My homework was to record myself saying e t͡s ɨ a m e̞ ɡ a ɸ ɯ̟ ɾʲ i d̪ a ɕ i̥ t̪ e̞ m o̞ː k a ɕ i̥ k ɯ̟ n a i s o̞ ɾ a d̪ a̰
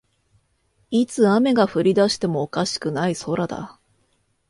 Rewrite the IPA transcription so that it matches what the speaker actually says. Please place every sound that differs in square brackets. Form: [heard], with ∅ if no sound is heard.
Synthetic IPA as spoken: [i] t͡s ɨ a m e̞ ɡ a ɸ ɯ̟ ɾʲ i d̪ a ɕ i̥ t̪ e̞ m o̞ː k a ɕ i̥ k ɯ̟ n a i s o̞ ɾ a d̪ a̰